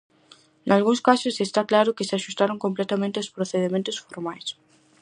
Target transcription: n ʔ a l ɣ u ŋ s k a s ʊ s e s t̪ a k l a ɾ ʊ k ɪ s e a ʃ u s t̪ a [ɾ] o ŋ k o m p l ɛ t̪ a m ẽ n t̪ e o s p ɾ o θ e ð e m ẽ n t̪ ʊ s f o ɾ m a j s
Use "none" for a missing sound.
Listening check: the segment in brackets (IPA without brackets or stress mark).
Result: ɾ